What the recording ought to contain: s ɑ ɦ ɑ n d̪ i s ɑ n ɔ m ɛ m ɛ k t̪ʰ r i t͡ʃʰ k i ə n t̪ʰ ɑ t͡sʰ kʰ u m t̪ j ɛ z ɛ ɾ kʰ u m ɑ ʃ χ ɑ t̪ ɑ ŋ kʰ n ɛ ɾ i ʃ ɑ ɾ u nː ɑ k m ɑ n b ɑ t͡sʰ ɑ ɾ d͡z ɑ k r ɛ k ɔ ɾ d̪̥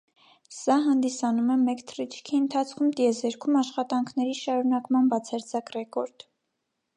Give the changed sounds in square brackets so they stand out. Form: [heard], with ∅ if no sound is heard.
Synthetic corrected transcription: s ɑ ɦ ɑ n d̪ i s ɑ n [u] m ɛ m ɛ k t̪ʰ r i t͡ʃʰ [kʰ] i ə n t̪ʰ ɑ t͡sʰ kʰ u m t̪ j ɛ z ɛ ɾ kʰ u m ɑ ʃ χ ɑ t̪ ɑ ŋ kʰ n ɛ ɾ i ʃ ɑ ɾ u [n] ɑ k m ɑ n b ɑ t͡sʰ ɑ ɾ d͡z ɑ k r ɛ k ɔ ɾ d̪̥